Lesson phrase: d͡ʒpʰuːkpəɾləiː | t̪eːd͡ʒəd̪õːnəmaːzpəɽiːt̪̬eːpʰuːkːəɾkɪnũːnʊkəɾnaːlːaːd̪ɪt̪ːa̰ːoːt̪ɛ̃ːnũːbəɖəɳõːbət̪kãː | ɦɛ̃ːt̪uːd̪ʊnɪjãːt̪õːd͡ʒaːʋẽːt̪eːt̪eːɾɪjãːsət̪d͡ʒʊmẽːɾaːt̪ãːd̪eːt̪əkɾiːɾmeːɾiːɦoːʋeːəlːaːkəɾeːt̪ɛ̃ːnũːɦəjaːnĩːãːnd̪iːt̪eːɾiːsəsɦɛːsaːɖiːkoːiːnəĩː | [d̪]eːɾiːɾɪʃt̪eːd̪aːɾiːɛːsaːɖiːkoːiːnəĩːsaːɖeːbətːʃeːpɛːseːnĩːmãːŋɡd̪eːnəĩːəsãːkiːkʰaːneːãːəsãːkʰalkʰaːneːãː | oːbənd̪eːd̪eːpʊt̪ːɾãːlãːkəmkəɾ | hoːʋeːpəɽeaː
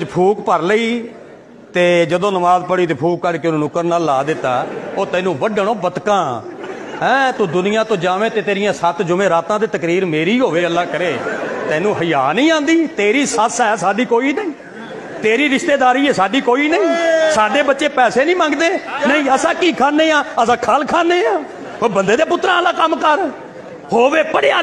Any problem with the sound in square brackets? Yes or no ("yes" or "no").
yes